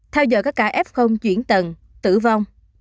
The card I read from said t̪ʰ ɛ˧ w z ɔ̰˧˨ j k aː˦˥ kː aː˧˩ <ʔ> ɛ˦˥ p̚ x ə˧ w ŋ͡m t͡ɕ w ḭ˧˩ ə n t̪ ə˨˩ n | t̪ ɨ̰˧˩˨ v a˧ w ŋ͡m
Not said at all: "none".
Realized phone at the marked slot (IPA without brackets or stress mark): ʔ